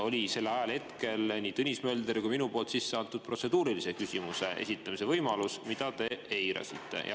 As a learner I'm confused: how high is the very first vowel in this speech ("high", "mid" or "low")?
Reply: mid